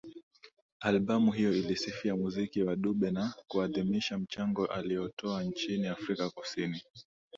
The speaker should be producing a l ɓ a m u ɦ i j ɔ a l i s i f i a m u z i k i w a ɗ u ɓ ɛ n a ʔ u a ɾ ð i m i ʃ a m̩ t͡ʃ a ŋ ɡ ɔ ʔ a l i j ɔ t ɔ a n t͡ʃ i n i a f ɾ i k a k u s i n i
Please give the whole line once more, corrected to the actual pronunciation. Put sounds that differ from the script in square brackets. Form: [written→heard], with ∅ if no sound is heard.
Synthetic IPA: a l ɓ a m u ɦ i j ɔ [a→i] l i s i f i a m u z i k i w a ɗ u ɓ ɛ n a [ʔ→k] u a [ɾ→∅] ð i m i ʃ a m̩ t͡ʃ a ŋ ɡ ɔ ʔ a l i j ɔ t ɔ a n t͡ʃ i n i a f ɾ i k a k u s i n i